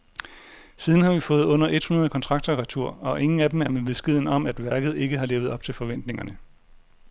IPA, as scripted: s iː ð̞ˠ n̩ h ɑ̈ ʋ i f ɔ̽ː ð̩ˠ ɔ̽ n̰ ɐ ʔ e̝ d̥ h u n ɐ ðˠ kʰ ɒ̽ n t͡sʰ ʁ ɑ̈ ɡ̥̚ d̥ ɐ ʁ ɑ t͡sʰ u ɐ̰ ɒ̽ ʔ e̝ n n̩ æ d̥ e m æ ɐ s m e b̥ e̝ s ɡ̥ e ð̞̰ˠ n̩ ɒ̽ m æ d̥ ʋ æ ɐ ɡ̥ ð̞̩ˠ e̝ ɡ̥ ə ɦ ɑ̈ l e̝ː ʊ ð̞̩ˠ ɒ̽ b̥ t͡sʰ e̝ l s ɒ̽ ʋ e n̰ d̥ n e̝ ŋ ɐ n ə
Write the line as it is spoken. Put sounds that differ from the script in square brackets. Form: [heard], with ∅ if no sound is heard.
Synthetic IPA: s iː ð̞ˠ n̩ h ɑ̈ ʋ i f ɔ̽ː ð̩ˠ ɔ̽ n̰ ɐ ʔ e̝ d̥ h u n ɐ ðˠ kʰ ɒ̽ n t͡sʰ ʁ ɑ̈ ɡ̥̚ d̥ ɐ ʁ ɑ t͡sʰ u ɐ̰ ɒ̽ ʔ e̝ [ŋ] n̩ æ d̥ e m æ ɐ [∅] m e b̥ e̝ s ɡ̥ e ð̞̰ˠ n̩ ɒ̽ m æ d̥ ʋ æ ɐ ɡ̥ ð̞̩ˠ e̝ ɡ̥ ə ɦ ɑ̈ l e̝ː ʊ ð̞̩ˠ ɒ̽ b̥ t͡sʰ e̝ l [f] ɒ̽ ʋ e n̰ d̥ n e̝ ŋ ɐ n ə